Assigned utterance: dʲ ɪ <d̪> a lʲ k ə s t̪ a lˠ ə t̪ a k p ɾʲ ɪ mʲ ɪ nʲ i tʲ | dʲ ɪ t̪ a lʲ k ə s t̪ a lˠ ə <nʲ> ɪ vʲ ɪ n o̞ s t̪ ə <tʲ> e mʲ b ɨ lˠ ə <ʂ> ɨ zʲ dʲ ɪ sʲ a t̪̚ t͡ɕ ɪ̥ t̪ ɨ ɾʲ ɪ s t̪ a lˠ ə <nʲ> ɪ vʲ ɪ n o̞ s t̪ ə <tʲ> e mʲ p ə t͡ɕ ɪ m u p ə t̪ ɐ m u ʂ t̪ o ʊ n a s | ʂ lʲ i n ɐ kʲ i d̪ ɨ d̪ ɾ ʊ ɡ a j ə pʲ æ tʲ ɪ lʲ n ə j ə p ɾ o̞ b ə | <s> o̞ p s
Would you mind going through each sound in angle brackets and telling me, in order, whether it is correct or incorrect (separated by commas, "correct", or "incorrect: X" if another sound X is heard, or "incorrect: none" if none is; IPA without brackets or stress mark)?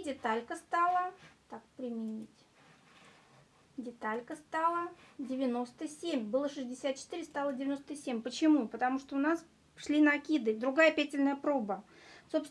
incorrect: t̪, incorrect: dʲ, incorrect: sʲ, correct, incorrect: dʲ, incorrect: sʲ, correct